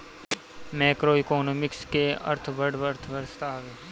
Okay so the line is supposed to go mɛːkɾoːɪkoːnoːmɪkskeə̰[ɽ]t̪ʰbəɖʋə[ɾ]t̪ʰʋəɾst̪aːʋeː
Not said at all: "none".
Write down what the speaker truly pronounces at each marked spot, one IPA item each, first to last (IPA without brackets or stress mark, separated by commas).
ɾ, ɾ